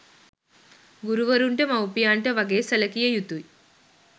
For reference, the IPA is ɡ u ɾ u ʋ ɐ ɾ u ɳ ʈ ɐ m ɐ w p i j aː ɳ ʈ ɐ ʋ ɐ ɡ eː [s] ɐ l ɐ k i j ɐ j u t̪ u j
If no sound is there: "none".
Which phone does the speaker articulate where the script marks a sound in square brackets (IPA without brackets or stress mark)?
s